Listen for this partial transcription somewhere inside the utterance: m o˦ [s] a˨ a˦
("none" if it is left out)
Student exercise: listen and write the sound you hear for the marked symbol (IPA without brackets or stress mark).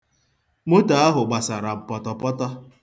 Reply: t